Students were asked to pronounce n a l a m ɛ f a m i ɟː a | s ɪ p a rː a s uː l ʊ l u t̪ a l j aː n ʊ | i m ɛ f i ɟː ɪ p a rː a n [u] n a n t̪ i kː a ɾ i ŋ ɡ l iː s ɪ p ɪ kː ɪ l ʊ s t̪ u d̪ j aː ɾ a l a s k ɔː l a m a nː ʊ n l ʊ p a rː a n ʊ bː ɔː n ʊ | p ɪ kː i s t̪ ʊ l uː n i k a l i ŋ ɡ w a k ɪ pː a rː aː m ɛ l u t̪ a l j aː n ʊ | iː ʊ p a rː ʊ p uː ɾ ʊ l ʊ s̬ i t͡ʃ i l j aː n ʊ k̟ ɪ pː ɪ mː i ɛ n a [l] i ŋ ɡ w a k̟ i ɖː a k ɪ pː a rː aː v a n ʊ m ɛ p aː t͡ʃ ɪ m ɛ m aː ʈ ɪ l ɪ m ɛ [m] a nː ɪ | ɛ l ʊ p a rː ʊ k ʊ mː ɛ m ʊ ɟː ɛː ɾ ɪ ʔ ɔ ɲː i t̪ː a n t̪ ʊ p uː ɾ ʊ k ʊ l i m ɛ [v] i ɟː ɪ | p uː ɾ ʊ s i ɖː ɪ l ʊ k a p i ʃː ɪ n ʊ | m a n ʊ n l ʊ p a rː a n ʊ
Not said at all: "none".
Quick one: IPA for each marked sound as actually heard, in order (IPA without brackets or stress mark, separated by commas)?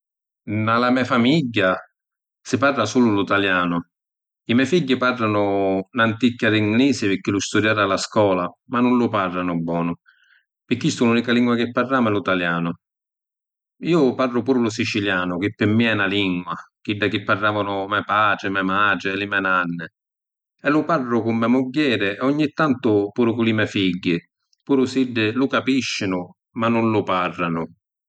ʊ, l, n, f